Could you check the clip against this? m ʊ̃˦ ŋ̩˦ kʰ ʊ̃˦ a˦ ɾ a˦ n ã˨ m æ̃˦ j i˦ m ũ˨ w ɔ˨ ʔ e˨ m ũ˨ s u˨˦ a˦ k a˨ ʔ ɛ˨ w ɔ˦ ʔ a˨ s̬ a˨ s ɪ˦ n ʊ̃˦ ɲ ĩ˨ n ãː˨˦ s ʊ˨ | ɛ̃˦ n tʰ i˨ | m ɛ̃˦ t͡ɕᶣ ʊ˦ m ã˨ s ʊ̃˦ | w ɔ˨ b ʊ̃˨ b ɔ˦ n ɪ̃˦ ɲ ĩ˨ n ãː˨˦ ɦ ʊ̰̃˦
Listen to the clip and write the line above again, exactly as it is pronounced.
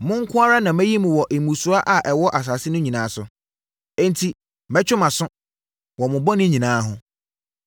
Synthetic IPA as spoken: m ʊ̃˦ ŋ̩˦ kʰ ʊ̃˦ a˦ ɾ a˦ n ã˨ m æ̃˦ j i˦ m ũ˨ w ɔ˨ ʔ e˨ m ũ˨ s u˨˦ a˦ ʔ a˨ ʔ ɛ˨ w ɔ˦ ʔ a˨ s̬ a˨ s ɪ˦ n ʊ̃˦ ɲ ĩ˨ n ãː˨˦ s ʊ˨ | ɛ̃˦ n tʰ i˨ | m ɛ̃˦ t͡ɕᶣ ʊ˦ m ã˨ s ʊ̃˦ | w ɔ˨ m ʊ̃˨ b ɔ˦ n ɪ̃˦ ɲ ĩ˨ n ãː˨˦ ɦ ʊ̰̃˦